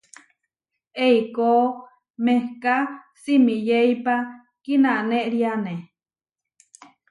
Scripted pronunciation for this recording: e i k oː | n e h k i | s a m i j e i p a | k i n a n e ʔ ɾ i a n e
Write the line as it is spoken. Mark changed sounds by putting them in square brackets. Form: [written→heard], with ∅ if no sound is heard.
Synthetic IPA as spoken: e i k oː | [n→m] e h k [i→a] | s [a→i] m i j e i p a | k i n a n e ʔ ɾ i a n e